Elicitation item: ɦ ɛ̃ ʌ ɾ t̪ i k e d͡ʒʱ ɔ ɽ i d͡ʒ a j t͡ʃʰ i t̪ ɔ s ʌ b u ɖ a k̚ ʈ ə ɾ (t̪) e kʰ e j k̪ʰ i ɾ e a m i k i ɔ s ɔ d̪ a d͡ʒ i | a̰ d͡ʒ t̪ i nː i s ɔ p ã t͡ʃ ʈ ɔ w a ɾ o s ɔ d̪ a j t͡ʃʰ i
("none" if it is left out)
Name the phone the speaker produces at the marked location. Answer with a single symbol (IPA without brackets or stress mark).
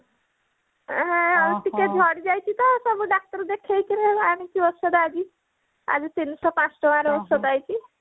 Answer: d̪